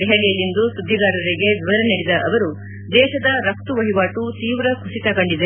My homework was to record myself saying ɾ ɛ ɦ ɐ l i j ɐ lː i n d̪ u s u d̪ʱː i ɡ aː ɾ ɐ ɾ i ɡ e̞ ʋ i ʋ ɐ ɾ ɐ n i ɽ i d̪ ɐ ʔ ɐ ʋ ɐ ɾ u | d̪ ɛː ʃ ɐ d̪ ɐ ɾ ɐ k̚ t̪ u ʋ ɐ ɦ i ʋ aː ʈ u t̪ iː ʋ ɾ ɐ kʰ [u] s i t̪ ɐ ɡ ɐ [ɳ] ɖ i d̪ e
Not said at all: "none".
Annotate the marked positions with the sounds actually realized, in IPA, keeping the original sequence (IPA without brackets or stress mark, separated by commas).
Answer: u, ɳ